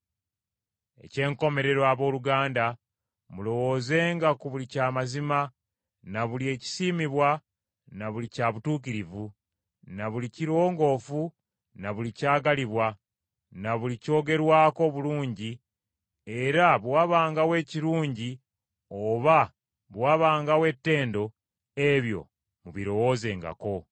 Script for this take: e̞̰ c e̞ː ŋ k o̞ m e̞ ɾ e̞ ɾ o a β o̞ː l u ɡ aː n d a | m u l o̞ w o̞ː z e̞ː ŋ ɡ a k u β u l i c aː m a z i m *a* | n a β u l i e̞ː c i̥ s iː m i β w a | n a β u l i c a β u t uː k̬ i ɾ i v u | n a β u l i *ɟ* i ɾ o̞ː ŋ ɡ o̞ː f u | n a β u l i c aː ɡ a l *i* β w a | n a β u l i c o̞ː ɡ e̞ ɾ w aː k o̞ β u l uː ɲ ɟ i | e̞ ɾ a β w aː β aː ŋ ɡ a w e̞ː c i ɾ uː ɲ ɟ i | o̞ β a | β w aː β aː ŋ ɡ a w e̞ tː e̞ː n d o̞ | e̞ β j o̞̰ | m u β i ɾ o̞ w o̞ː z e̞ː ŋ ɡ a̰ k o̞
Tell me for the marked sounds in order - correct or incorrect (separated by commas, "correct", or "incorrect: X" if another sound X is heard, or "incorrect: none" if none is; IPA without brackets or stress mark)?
correct, incorrect: c, correct